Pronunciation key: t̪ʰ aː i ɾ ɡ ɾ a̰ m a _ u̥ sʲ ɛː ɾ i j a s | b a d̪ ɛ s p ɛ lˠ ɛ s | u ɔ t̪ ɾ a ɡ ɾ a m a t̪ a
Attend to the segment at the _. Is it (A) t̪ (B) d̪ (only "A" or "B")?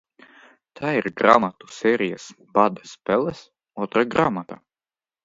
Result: A